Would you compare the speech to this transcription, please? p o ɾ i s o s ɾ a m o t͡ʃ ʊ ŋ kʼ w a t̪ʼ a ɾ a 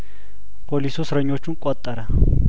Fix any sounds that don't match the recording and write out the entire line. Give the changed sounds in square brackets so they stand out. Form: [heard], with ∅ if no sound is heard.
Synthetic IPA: p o [l] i s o s ɾ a [ɲ] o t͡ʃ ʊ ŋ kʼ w a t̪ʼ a ɾ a